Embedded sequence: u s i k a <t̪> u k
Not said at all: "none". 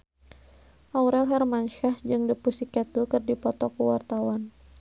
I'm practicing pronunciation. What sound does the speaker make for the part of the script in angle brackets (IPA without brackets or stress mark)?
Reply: t̪